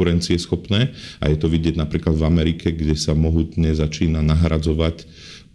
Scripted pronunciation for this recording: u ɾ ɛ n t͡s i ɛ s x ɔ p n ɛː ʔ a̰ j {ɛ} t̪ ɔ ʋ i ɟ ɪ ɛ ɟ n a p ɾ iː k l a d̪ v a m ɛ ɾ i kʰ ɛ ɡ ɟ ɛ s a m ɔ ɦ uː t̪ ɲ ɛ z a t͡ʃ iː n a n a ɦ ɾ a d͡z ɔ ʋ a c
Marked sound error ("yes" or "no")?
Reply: no